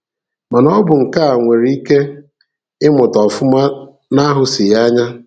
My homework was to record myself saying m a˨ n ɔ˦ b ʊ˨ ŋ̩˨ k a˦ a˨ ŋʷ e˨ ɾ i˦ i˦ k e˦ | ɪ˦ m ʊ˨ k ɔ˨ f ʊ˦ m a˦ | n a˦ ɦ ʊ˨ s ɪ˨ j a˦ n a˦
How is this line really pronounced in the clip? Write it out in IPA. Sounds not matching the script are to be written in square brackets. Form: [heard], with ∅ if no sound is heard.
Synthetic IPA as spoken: m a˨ n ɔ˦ b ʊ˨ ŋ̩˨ k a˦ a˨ ŋʷ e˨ ɾ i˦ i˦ k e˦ | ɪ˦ m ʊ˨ [t] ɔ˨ f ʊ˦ m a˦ | n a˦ ɦ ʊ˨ s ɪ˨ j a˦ [ɲ] a˦